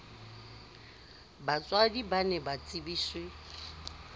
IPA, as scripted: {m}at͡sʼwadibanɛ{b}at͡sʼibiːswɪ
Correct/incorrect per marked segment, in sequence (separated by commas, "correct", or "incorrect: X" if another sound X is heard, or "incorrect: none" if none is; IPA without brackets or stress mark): incorrect: b, correct